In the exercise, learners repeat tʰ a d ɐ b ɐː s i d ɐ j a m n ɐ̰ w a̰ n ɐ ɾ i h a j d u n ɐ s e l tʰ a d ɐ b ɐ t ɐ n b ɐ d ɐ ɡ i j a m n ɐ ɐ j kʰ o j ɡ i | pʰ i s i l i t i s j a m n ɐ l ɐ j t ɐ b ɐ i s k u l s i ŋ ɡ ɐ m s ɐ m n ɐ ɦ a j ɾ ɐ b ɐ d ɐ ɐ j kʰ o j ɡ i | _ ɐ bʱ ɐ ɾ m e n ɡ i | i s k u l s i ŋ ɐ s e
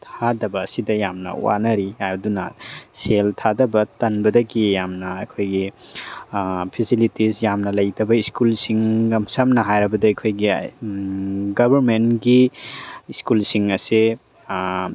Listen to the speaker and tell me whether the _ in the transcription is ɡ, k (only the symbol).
ɡ